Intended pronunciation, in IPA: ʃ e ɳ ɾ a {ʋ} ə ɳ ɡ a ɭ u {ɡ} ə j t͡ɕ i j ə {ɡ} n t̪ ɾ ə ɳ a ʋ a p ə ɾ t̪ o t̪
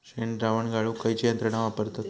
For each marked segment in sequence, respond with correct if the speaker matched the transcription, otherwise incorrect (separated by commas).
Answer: correct, incorrect, incorrect